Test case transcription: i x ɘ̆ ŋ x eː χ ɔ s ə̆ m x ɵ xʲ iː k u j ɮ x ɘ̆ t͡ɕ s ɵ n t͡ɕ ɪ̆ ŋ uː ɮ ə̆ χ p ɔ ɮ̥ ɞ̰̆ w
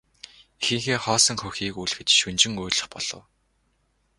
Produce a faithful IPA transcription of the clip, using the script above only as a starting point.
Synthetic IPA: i x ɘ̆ ŋ x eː χ ɔː s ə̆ ŋ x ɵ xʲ iː k u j ɮ x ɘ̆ t͡ɕ ʃ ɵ n t͡ɕ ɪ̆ ŋ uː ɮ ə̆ χ p ɔ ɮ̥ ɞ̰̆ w